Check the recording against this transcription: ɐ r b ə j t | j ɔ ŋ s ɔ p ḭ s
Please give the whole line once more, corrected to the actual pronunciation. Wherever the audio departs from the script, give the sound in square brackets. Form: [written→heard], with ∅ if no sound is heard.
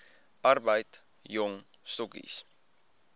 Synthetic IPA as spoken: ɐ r b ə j t | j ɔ ŋ s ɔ [p→k] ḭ s